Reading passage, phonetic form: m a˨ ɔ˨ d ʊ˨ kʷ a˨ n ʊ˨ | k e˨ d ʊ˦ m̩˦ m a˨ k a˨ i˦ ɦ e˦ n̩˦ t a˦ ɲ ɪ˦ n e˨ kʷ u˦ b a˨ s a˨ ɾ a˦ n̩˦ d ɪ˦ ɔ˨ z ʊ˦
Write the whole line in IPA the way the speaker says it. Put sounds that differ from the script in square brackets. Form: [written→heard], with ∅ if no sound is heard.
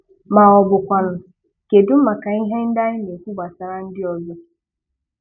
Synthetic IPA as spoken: m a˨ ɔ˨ [d→b] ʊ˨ kʷ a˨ n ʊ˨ | k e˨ d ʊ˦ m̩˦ m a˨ k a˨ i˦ ɦ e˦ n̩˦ [t→d] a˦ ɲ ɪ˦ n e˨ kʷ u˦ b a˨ s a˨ ɾ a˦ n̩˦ d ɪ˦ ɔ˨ z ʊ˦